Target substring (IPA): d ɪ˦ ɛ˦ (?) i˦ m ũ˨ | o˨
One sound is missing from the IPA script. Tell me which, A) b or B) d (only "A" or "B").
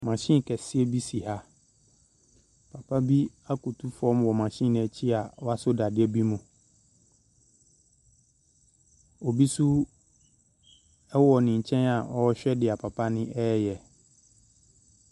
A